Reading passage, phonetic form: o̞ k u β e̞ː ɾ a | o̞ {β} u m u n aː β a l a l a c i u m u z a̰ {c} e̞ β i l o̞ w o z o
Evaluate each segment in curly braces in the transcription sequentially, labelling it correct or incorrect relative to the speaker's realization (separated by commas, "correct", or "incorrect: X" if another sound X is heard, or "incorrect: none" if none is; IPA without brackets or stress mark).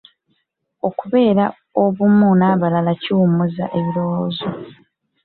correct, incorrect: ʔ